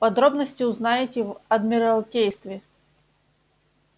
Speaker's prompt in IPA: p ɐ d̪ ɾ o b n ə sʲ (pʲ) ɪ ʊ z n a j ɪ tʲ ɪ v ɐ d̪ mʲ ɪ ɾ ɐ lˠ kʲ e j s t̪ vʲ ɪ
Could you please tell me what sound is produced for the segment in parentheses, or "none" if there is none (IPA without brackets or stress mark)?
tʲ